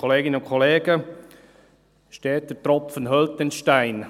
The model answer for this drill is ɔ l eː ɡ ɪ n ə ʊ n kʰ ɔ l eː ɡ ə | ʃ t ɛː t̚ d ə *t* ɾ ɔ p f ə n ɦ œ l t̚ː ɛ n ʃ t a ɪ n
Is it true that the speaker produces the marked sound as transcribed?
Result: yes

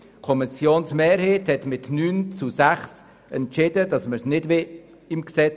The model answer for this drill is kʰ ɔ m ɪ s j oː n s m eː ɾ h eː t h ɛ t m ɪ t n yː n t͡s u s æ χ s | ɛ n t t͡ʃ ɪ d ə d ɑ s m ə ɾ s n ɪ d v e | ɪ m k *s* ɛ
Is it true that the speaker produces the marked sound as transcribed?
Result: yes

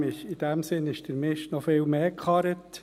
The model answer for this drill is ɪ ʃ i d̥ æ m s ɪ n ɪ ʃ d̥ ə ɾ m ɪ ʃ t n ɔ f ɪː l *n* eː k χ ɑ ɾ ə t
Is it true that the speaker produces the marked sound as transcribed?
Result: no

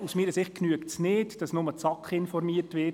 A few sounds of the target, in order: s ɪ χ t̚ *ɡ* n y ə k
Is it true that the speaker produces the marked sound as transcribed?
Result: no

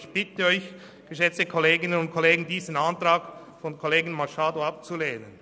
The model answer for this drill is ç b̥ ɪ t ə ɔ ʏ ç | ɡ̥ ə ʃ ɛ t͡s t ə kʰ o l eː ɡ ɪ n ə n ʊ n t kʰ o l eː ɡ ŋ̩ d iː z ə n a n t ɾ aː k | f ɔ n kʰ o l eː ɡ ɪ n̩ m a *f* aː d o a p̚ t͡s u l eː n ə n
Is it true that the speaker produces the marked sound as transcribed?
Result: no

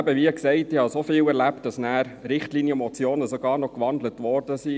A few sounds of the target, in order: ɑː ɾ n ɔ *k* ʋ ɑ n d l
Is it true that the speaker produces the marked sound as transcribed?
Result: yes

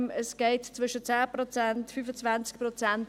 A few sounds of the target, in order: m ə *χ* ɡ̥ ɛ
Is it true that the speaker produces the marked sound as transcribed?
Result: no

